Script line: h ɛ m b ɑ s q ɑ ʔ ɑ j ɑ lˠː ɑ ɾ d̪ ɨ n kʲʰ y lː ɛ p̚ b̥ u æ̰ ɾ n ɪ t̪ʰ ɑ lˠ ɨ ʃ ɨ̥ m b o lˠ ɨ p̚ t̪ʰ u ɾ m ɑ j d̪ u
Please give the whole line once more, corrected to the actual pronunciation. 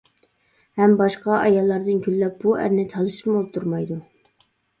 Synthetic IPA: h ɛ m b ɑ ʃ q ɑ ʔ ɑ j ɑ lˠː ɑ ɾ d̪ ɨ n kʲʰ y lː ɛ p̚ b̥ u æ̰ ɾ n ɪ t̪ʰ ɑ lˠ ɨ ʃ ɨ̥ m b o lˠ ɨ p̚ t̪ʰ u ɾ m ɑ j d̪ u

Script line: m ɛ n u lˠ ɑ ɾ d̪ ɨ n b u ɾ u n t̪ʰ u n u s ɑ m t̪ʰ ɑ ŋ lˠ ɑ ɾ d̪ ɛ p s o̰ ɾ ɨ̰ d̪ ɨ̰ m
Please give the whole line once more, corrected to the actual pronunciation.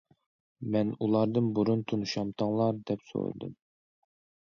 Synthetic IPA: m ɛ n u lˠ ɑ ɾ d̪ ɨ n b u ɾ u n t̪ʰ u n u ʃ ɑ m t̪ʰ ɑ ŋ lˠ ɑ ɾ d̪ ɛ p s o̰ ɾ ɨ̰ d̪ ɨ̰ m

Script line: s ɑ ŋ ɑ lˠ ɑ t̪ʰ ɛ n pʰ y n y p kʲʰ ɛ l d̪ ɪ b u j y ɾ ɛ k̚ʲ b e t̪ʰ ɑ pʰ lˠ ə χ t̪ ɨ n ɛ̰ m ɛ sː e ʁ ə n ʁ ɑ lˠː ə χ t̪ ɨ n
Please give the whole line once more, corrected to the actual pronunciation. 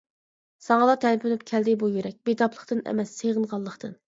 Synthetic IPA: s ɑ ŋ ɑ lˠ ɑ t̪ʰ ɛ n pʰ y n y p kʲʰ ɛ l d̪ ɪ b u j y ɾ ɛ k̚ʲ b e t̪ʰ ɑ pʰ lˠ ə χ t̪ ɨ n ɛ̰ m ɛ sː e ʁ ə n ʁ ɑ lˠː ə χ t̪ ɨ n

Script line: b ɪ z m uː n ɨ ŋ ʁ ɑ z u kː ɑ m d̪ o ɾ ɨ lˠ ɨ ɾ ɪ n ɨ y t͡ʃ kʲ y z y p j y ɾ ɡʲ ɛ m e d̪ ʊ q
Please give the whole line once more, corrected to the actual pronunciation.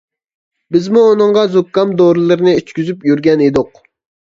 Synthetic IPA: b ɪ z m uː n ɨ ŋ ʁ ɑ z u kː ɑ m d̪ o ɾ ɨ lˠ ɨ ɾ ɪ n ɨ y t͡ʃ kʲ y z y p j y ɾ ɡʲ ɛ n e d̪ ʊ q

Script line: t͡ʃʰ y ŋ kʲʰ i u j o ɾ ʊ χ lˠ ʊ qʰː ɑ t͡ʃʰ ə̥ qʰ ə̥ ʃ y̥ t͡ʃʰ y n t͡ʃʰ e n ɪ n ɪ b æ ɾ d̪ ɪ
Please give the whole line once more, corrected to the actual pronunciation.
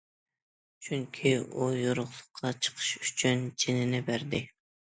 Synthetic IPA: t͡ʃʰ y ŋ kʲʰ i u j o ɾ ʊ χ lˠ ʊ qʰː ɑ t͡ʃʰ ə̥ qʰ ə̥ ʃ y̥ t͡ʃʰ y n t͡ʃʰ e n ɪ n ɪ b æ ɾ d̪ ɪ

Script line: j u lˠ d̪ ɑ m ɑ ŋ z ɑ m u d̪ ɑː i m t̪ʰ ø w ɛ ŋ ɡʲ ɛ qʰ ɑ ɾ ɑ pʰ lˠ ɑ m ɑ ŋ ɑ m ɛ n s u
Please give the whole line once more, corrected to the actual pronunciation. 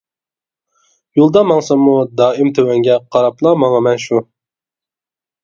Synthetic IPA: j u lˠ d̪ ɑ m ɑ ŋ s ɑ m u d̪ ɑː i m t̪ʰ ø w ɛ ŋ ɡʲ ɛ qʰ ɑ ɾ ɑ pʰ lˠ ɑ m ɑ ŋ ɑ m ɛ n ʃ u

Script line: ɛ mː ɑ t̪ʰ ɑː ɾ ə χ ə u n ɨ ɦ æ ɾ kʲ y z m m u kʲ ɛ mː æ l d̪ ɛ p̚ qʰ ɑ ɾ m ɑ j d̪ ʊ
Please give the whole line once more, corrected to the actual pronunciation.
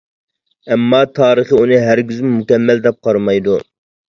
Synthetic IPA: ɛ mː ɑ t̪ʰ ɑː ɾ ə χ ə u n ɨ ɦ æ ɾ ɡʲ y z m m u kʲ ɛ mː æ l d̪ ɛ p̚ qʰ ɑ ɾ m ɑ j d̪ u

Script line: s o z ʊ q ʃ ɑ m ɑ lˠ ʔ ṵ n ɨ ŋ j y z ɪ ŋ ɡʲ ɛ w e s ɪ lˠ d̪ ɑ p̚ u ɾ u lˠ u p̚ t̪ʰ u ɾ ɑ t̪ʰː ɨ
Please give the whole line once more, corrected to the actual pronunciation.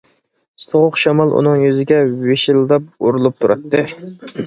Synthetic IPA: s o ʁ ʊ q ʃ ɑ m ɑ lˠ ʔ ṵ n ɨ ŋ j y z ɪ ɡʲ ɛ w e ʃ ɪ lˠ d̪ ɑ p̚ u ɾ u lˠ u p̚ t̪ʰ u ɾ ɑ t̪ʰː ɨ

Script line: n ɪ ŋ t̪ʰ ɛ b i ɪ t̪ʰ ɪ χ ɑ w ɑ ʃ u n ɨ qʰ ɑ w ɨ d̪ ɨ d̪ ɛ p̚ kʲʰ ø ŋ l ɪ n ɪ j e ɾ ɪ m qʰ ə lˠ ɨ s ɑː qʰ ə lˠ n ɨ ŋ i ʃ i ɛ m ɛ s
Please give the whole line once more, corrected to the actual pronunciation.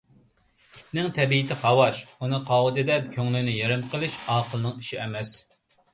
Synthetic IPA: n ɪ ŋ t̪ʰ ɛ b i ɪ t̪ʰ ɪ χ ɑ w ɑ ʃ u n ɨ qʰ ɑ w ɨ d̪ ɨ d̪ ɛ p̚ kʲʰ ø ŋ l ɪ n ɪ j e ɾ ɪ m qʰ ə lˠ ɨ ʃ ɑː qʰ ə lˠ n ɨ ŋ i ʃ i ɛ m ɛ s

